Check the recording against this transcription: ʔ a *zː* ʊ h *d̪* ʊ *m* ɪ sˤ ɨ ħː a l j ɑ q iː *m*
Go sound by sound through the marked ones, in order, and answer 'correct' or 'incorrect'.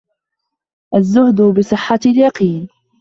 correct, correct, incorrect, incorrect

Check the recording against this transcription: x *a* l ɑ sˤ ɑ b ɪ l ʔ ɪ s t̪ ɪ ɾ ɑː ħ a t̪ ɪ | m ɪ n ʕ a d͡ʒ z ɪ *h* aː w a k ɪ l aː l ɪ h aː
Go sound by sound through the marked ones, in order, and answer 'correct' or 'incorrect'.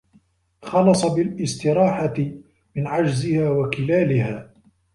incorrect, correct

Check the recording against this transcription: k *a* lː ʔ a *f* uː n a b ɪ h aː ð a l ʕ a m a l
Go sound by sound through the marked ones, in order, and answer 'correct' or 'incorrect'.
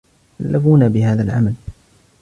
correct, correct

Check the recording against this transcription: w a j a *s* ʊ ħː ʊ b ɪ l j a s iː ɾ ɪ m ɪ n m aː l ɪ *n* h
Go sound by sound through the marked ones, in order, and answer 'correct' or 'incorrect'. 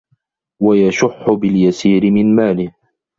incorrect, incorrect

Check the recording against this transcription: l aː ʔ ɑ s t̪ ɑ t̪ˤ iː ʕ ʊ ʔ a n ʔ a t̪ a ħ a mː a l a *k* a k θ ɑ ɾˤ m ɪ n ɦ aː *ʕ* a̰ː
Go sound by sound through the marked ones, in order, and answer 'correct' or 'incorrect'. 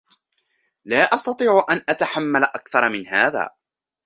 incorrect, incorrect

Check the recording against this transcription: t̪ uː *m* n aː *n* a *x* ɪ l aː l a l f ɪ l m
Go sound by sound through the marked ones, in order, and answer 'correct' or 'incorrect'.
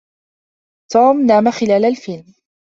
correct, incorrect, correct

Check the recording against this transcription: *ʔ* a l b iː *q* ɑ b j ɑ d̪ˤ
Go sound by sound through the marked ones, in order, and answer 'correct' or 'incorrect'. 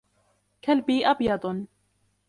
incorrect, incorrect

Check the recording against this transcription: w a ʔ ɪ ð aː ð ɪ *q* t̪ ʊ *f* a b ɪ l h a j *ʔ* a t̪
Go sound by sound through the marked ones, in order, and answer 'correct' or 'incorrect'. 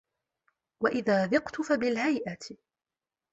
correct, correct, correct

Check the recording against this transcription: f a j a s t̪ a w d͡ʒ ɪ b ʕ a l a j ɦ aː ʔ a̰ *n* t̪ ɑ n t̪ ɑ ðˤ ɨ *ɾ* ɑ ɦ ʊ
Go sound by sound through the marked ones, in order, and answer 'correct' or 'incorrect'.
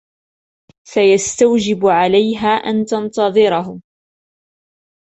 correct, correct

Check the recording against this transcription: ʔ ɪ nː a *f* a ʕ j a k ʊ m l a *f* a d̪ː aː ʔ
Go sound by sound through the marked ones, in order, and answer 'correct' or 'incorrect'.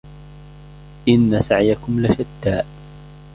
incorrect, incorrect

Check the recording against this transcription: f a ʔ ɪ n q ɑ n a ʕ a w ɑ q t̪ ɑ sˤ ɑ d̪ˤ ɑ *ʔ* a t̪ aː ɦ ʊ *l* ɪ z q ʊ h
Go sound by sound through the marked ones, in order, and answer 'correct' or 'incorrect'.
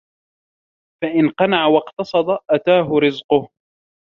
correct, incorrect

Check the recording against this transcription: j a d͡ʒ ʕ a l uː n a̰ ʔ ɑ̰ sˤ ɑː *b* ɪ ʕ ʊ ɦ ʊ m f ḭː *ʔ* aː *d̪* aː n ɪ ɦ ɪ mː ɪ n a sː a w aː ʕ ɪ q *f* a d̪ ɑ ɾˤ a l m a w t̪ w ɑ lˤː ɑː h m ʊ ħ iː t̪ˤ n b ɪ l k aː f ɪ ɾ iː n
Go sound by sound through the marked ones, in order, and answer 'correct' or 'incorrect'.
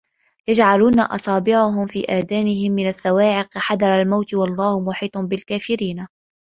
correct, correct, correct, incorrect

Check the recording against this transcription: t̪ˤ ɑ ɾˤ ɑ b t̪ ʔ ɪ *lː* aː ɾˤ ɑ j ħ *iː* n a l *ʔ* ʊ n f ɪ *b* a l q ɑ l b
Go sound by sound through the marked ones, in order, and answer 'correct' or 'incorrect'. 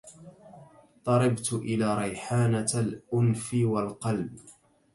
incorrect, incorrect, correct, incorrect

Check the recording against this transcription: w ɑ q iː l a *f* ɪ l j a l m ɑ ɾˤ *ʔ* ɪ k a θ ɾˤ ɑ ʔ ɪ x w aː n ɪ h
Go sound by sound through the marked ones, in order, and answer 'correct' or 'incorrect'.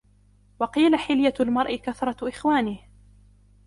incorrect, correct

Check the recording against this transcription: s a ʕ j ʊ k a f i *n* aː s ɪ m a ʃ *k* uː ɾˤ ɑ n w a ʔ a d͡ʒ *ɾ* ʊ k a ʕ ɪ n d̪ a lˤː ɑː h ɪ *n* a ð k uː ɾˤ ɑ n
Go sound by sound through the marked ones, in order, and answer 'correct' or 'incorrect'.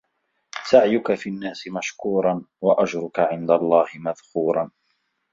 incorrect, correct, correct, incorrect

